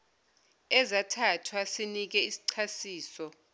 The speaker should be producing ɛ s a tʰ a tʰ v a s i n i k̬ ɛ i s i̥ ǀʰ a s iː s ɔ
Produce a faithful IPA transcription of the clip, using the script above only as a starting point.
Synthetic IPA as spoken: ɛ z a tʰ a tʰ w a s i n i k̬ ɛ i s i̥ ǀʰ a s iː s ɔ